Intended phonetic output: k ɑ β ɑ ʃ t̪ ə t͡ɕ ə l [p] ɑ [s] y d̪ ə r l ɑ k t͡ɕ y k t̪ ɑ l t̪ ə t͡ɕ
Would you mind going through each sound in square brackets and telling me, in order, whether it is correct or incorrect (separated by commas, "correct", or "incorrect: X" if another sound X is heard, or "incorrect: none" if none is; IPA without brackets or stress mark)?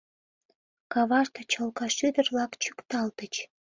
incorrect: k, incorrect: ʃ